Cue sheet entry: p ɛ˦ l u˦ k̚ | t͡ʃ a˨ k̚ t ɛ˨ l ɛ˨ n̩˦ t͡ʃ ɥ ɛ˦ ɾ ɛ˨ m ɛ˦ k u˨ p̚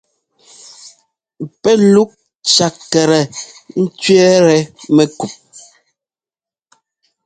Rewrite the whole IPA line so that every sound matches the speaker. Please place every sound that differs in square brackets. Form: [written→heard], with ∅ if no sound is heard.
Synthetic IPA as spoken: p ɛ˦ l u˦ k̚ | t͡ʃ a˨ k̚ t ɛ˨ [l→ɾ] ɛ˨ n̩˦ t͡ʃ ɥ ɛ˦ ɾ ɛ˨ m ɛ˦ k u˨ p̚